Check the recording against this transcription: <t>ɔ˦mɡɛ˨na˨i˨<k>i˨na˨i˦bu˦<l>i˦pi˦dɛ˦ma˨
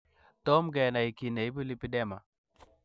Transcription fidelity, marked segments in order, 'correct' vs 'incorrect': correct, correct, correct

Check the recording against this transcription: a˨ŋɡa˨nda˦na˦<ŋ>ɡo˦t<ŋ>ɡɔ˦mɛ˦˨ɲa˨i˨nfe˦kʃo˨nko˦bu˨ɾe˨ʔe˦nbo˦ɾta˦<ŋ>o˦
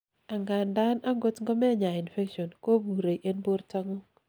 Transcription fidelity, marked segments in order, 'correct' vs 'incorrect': correct, correct, correct

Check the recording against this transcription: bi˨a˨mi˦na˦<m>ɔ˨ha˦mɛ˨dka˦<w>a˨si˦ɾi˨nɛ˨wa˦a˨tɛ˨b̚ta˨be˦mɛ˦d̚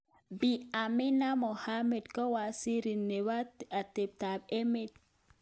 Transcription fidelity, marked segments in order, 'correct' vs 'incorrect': correct, correct

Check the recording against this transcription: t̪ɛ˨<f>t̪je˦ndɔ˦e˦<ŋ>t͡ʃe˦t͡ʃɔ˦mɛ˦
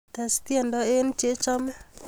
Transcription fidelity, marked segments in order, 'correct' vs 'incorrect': incorrect: s, incorrect: n

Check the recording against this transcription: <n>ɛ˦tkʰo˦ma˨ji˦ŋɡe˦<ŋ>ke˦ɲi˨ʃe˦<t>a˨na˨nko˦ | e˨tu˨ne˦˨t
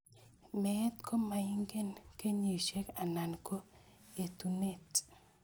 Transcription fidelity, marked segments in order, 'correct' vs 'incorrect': incorrect: m, incorrect: n, incorrect: k

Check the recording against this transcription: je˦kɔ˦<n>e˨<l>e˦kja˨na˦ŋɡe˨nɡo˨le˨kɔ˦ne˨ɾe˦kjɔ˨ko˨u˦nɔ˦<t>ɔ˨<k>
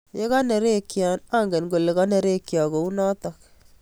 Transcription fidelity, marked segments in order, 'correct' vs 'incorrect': correct, incorrect: ɾ, correct, correct

